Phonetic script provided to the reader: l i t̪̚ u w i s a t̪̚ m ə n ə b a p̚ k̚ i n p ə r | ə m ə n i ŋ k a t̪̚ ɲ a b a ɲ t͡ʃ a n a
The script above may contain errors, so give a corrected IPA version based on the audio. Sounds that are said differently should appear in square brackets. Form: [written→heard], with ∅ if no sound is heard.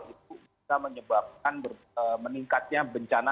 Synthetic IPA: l i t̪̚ u [w→b] i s a [t̪̚→∅] m ə [n→ɲ] ə b a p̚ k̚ [i→a] n [p→b] ə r | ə m ə n i ŋ k a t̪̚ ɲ a b [a→ə] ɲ t͡ʃ a n a